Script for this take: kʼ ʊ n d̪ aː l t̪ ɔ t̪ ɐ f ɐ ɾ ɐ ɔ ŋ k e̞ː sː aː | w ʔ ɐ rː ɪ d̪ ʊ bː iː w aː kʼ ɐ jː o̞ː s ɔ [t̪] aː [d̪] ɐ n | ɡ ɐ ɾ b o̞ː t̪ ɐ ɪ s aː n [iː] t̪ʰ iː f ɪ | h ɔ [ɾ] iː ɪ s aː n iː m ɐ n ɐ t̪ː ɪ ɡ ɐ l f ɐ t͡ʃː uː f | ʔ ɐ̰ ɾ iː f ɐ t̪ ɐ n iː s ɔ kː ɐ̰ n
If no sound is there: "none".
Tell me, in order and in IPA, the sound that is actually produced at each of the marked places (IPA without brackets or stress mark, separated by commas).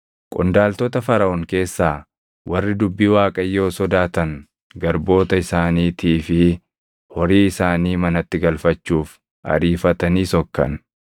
d̪, t̪, iː, ɾ